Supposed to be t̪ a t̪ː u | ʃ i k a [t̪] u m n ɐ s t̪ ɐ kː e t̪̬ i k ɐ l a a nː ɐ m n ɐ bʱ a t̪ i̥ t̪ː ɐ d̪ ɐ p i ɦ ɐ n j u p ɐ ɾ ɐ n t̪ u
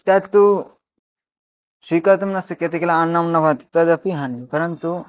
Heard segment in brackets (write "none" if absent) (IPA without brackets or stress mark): t̪